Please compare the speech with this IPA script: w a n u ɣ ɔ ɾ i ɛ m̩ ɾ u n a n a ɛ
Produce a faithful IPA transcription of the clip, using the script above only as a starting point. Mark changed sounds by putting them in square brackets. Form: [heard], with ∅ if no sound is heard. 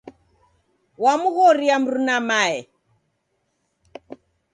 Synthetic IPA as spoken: w a [m] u ɣ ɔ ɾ i [a] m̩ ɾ u n a [m] a ɛ

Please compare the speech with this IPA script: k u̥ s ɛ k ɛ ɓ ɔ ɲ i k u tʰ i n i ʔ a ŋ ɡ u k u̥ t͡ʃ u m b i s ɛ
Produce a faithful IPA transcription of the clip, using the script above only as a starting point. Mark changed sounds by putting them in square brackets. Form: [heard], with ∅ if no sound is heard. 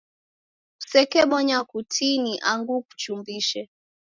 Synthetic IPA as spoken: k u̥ s ɛ k ɛ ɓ ɔ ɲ [a] k u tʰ i n i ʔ a ŋ ɡ u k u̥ t͡ʃ u m b i [ʃ] ɛ

